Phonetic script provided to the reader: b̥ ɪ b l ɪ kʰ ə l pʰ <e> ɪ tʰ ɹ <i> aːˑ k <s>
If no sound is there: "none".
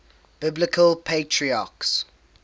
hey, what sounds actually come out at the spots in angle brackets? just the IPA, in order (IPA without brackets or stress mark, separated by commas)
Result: e, i, s